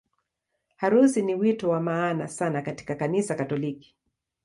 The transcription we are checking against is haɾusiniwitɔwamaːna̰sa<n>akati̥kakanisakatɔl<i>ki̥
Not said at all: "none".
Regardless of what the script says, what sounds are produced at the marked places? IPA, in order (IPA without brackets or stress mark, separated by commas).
n, i